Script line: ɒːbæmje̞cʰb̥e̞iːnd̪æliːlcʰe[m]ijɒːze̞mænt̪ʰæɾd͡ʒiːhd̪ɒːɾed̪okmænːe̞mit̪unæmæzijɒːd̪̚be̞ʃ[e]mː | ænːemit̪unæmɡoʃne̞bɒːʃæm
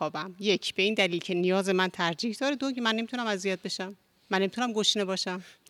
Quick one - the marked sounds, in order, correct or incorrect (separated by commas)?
incorrect, incorrect